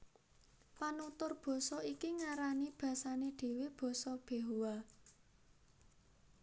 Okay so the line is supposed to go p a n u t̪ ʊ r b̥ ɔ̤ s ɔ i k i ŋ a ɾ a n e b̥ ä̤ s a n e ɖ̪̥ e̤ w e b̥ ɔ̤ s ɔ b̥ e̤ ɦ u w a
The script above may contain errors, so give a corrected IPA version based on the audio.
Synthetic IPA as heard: p a n u t̪ ʊ r b̥ ɔ̤ s ɔ i k i ŋ a ɾ a n i b̥ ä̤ s a n e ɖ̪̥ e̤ w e b̥ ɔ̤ s ɔ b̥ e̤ ɦ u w a